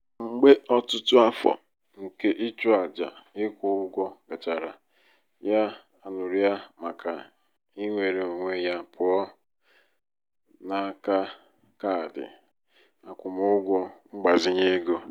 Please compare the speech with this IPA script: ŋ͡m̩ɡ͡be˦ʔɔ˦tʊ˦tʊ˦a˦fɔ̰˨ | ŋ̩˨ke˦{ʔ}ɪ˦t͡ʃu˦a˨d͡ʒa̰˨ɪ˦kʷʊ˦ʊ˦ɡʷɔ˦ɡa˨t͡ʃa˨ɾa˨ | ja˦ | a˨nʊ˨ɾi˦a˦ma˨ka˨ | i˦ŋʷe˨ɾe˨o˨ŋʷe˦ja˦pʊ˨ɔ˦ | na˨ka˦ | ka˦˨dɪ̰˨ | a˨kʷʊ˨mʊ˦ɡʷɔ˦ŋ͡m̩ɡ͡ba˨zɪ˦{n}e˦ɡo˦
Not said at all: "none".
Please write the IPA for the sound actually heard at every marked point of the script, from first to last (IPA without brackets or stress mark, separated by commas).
ʔ, ɲ